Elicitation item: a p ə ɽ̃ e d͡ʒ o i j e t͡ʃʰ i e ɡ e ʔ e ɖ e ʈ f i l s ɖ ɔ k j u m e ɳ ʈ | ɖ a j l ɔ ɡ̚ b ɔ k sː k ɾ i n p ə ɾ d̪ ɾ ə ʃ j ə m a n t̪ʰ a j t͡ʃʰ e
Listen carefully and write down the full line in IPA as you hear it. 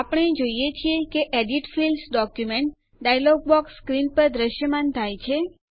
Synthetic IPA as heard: a p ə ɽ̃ e d͡ʒ o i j e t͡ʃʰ i e k e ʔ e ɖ i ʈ f i l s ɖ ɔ k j u m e ɳ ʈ | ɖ a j l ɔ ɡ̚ b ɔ k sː k ɾ i n p ə ɾ d̪ ɾ ə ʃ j ə m a n t̪ʰ a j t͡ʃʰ e